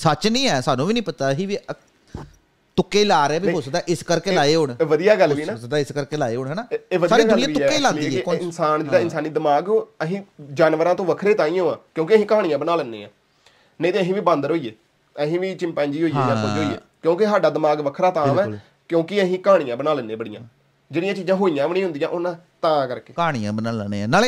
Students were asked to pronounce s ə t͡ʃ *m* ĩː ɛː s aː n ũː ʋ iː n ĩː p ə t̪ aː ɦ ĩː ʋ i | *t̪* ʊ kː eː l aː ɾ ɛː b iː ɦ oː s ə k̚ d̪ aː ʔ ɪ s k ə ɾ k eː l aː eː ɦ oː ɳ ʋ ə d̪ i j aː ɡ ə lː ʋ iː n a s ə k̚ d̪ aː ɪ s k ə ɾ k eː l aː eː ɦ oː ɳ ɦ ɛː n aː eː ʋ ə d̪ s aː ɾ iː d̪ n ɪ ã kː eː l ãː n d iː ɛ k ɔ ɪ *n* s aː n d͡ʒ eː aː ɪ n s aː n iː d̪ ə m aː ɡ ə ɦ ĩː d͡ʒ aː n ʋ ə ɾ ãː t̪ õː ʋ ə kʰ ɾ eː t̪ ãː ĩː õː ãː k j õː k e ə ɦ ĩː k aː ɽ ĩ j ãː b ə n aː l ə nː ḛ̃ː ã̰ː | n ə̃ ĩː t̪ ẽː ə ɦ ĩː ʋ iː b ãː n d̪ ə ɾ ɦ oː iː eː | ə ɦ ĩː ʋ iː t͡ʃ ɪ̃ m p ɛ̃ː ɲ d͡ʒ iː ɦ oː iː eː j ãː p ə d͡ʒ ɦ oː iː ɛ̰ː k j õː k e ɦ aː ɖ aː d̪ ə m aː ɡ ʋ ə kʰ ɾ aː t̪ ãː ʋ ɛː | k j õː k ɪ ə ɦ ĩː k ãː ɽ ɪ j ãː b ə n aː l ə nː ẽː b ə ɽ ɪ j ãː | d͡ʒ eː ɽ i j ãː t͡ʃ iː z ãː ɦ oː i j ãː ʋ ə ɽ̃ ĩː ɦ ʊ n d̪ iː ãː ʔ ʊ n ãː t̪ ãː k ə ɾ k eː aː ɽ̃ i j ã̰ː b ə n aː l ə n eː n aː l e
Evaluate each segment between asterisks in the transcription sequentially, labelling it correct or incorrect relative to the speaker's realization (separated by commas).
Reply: incorrect, correct, correct